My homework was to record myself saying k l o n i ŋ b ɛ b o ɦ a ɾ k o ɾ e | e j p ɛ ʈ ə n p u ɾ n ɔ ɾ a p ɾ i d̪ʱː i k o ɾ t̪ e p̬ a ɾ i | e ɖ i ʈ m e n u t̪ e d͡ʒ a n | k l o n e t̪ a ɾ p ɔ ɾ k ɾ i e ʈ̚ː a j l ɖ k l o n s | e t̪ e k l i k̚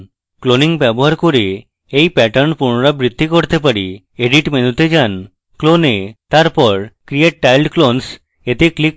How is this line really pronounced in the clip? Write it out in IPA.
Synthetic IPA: k l o n i ŋ b ɛ b o ɦ a ɾ k o ɾ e | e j p ɛ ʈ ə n p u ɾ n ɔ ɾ a b ɾ i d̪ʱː i k o ɾ t̪ e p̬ a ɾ i | e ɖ i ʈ m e n u t̪ e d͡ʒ a n | k l o n e t̪ a ɾ p ɔ ɾ k ɾ i e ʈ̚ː a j l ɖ k l o n s | e t̪ e k l i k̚

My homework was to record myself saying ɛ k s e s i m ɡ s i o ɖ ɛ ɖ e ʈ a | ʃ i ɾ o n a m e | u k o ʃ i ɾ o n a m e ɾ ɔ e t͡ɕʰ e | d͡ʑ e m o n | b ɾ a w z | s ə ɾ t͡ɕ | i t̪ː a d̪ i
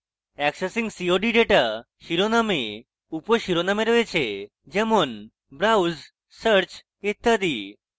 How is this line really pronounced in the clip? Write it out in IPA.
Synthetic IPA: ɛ k s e s i ŋ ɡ s i o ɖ i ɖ e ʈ a | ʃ i ɾ o n a m e | u p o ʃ i ɾ o n a m e ɾ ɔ e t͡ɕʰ e | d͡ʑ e m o n | b ɾ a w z | s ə ɾ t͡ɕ | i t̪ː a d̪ i

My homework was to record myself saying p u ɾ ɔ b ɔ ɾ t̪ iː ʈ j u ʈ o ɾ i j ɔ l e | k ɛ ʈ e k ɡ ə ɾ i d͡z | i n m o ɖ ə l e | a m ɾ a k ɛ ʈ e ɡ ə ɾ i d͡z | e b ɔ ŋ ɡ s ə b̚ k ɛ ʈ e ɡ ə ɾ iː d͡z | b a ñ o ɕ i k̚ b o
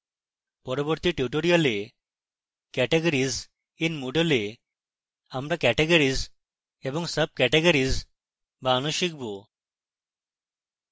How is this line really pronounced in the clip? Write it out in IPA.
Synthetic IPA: p ɔ ɾ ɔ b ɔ ɾ t̪ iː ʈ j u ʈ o ɾ i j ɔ l e | k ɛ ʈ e ɡ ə ɾ i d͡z | i n m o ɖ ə l e | a m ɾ a k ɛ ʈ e ɡ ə ɾ i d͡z | e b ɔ ŋ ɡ s ə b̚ k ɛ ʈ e ɡ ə ɾ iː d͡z | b a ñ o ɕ i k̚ b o

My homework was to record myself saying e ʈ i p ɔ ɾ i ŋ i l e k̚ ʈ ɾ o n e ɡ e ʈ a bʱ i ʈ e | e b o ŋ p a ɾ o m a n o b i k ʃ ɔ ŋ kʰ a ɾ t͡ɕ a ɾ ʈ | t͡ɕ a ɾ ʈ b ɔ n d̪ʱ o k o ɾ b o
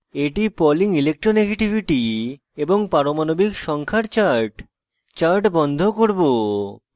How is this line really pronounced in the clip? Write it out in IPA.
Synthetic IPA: e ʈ i p ɔ l i ŋ i l e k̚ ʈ ɾ o n e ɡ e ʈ i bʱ i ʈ i | e b o ŋ p a ɾ o m a n o b i k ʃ ɔ ŋ kʰ a ɾ t͡ɕ a ɾ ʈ | t͡ɕ a ɾ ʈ b ɔ n d̪ʱ o k o ɾ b o

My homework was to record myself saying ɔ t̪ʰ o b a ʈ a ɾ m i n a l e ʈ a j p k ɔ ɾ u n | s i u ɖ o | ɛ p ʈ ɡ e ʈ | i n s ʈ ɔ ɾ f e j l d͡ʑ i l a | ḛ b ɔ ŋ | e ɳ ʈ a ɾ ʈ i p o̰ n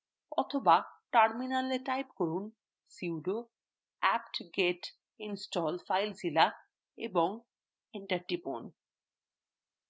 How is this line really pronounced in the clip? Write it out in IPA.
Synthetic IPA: ɔ t̪ʰ o b a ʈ a ɾ m i n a l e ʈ a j p k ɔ ɾ u n | s i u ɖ o | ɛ p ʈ ɡ e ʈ | i n s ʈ ɔ l f a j l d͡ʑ i l a | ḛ b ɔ ŋ | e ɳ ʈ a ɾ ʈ i p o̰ n

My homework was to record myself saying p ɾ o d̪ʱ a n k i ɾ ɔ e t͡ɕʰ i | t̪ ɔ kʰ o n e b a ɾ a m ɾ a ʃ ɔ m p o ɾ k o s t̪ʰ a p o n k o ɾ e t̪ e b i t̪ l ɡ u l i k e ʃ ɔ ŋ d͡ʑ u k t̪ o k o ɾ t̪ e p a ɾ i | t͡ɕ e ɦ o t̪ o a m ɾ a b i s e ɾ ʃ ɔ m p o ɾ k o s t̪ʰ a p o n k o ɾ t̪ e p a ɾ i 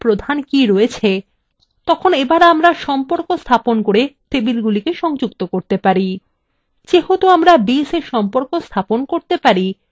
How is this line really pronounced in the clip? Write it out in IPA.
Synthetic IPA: p ɾ o d̪ʱ a n k i ɾ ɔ e t͡ɕʰ e | t̪ ɔ kʰ o n e b a ɾ a m ɾ a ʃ ɔ m p o ɾ k o s t̪ʰ a p o n k o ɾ e t̪ e b i l ɡ u l i k e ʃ ɔ ŋ d͡ʑ u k t̪ o k o ɾ t̪ e p a ɾ i | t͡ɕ e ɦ o t̪ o a m ɾ a b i s e ɾ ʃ ɔ m p o ɾ k o s t̪ʰ a p o n k o ɾ t̪ e p a ɾ i

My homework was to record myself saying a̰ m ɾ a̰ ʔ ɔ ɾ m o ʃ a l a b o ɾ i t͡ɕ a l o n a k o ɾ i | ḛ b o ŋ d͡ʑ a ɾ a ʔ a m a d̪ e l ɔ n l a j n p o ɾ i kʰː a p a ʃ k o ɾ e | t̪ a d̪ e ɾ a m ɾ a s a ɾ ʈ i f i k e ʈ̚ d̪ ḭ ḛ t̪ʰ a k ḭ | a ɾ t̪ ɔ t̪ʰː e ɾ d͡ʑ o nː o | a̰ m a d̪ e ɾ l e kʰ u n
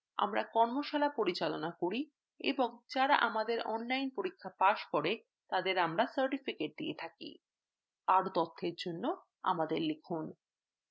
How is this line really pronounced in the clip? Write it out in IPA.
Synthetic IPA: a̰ m ɾ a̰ k ɔ ɾ m o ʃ a l a p o ɾ i t͡ɕ a l o n a k o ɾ i | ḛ b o ŋ d͡ʑ a ɾ a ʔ a m a d̪ e ɾ ɔ n l a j n p o ɾ i kʰː a p a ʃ k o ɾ e | t̪ a d̪ e ɾ a m ɾ a s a ɾ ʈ i f i k e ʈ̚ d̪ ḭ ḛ t̪ʰ a k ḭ | a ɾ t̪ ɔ t̪ʰː e ɾ d͡ʑ o nː o | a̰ m a d̪ e ɾ l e kʰ u n

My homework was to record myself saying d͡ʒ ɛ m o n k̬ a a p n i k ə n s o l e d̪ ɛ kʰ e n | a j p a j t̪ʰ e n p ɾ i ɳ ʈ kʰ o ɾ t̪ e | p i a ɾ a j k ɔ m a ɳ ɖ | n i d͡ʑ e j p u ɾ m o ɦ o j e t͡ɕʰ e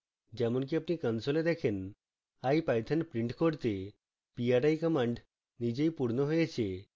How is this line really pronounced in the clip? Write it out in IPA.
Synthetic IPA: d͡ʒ ɛ m o n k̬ i a p n i k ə n s o l e d̪ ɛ kʰ e n | a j p a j t̪ʰ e n p ɾ i ɳ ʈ k o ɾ t̪ e | p i a ɾ a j k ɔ m a ɳ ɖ | n i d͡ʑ e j p u ɾ n o ɦ o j e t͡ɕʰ e

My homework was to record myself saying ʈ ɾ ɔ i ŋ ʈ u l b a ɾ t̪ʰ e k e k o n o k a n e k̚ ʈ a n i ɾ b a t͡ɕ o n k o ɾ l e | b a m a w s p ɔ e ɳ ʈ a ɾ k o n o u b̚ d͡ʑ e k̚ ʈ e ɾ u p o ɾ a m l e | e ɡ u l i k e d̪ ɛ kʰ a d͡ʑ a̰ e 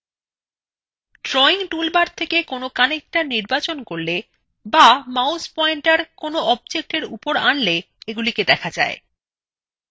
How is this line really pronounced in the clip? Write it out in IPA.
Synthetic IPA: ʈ ɾ ɔ i ŋ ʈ u l b a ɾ t̪ʰ e k e k o n o k a n e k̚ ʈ a n i ɾ b a t͡ɕ o n k o ɾ l e | b a m a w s p ɔ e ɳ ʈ a ɾ k o n o ɔ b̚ d͡ʑ e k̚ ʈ e ɾ u p o ɾ a n l e | e ɡ u l i k e d̪ ɛ kʰ a d͡ʑ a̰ e

